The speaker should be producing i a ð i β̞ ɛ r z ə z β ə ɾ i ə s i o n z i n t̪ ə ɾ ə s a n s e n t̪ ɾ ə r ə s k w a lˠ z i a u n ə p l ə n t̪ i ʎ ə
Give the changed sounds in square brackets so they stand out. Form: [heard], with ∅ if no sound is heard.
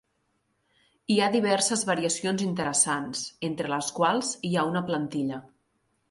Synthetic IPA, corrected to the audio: i a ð i β̞ ɛ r [s] ə z β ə ɾ i ə s i o n z i n t̪ ə ɾ ə s a n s e n t̪ ɾ ə [l] ə s k w a lˠ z i a u n ə p l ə n t̪ i ʎ ə